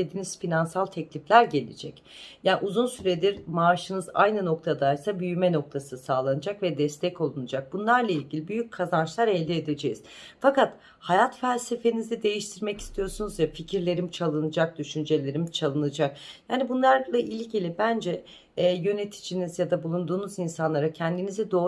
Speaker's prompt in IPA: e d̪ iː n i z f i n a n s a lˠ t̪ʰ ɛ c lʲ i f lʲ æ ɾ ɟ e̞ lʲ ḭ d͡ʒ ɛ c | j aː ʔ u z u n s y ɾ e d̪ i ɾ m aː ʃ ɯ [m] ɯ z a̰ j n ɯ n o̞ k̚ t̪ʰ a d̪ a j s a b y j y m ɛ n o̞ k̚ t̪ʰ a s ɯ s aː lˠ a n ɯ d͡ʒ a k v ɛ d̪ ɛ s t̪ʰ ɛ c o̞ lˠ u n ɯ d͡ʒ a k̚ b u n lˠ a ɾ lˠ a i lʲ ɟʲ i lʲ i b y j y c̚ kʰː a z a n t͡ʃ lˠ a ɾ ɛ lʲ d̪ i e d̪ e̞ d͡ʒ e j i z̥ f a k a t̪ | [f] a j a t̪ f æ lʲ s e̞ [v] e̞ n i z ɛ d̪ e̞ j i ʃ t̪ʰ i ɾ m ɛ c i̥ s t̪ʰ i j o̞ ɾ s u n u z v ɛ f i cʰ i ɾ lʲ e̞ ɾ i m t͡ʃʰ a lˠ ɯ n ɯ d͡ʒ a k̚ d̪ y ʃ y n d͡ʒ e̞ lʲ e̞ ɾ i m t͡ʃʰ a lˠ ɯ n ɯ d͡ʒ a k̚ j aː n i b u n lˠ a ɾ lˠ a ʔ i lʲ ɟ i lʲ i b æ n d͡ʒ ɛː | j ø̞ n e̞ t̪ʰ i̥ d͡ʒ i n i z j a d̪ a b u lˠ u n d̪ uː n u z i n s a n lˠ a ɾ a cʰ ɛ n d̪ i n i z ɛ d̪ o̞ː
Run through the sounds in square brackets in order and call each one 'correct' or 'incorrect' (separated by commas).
incorrect, incorrect, incorrect